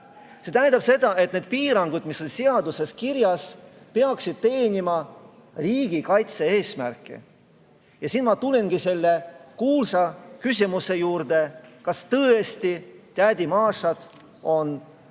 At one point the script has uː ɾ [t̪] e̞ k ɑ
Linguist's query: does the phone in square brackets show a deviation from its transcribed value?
yes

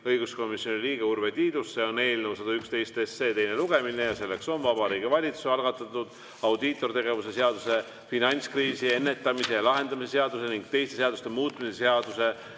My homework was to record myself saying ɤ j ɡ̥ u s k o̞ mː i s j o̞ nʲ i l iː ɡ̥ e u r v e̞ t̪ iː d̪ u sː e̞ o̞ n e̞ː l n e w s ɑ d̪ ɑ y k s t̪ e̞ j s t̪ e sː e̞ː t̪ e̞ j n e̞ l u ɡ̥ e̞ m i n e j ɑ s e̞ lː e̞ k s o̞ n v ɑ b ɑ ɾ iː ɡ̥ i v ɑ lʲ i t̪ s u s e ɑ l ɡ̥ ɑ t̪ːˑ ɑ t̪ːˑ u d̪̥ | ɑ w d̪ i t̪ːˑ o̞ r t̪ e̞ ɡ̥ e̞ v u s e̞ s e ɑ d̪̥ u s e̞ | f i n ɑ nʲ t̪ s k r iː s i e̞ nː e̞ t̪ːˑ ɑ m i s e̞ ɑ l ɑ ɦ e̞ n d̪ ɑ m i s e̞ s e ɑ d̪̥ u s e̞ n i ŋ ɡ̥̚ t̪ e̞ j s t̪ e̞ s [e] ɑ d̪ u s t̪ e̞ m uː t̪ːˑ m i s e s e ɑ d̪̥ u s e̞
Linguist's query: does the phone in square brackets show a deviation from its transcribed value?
no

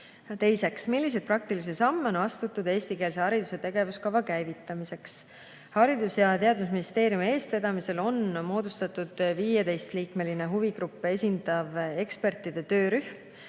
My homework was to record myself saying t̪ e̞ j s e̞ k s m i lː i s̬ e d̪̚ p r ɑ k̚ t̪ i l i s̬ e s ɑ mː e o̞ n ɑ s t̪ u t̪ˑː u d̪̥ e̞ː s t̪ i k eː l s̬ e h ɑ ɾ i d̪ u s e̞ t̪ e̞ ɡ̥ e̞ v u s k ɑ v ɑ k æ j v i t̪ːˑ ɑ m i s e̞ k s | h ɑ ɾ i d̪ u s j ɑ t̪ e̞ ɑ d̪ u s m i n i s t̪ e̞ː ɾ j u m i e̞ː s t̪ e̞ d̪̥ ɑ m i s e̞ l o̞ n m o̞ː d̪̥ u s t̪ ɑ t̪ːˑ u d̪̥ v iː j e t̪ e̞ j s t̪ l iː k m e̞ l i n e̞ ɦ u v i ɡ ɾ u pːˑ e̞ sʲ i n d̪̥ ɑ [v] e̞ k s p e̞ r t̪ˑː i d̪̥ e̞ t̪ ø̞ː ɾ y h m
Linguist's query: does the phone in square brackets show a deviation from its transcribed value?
no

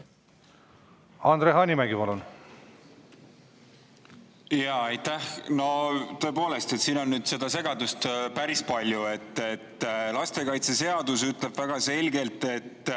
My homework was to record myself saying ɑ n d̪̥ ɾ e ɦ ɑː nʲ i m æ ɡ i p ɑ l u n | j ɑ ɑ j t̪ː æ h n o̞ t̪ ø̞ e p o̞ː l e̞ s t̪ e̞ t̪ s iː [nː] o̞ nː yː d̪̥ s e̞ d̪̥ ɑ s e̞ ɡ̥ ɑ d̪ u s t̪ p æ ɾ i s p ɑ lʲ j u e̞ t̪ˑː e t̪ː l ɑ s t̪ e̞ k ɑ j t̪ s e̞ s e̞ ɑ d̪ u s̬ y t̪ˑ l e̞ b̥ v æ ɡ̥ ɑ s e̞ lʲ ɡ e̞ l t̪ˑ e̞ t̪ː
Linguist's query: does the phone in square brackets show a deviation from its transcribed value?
yes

